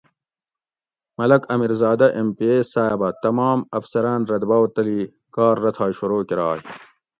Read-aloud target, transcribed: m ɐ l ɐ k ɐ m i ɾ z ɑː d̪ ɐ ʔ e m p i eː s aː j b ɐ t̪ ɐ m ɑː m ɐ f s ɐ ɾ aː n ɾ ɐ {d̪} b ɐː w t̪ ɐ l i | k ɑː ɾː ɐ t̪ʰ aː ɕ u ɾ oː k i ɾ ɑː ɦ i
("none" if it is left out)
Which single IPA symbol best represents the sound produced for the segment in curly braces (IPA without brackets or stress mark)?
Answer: d̪